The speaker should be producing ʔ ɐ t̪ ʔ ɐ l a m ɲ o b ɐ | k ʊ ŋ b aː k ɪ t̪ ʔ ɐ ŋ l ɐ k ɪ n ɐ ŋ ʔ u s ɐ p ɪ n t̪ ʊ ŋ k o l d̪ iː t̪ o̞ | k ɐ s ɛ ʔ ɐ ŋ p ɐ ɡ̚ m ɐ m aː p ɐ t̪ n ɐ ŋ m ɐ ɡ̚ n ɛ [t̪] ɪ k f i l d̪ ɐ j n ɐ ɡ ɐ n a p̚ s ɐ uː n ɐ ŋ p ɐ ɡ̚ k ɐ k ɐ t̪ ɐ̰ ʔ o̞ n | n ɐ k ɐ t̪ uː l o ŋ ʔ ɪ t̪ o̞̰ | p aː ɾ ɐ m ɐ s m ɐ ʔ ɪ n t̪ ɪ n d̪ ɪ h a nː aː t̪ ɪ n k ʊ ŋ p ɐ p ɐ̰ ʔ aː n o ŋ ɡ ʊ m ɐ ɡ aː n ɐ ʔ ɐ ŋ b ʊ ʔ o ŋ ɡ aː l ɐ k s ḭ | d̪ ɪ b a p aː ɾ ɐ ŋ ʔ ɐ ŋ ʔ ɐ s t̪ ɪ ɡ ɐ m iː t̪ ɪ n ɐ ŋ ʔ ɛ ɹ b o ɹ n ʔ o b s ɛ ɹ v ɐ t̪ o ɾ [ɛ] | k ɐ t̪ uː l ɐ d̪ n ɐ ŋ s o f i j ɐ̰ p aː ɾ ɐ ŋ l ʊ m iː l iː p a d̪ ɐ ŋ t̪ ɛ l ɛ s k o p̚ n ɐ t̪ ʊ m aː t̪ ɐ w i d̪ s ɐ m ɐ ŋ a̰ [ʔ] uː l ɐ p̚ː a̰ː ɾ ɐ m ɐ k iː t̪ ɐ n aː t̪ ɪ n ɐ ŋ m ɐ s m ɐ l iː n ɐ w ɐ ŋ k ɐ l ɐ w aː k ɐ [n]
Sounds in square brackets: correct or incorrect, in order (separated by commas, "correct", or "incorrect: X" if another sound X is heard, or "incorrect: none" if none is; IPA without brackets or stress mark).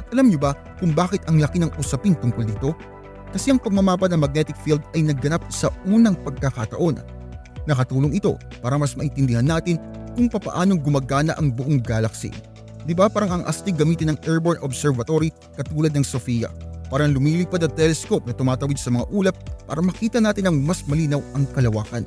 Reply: correct, incorrect: i, correct, correct